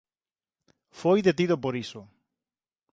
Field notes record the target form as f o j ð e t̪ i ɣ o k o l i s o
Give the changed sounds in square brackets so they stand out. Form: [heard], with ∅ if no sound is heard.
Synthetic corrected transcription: f o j ð e t̪ i [ð] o [p] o [ɾ] i s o